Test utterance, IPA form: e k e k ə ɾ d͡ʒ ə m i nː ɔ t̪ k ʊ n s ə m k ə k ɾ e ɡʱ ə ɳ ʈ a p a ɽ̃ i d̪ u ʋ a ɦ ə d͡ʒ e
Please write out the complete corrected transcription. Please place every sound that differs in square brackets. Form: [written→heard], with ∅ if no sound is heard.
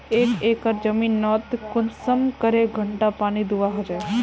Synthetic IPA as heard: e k e k ə ɾ d͡ʒ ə m i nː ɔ t̪ k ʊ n s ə m k ə [k→∅] ɾ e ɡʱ ə ɳ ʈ a p a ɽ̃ i d̪ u ʋ a ɦ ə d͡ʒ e